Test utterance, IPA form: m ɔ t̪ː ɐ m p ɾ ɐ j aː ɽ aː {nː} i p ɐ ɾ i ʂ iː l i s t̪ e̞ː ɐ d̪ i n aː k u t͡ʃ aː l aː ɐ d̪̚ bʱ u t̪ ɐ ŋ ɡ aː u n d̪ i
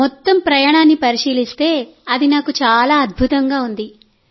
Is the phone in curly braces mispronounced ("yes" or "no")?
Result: no